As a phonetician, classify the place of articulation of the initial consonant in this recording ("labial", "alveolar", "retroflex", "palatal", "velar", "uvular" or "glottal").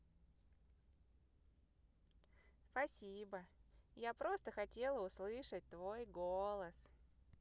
alveolar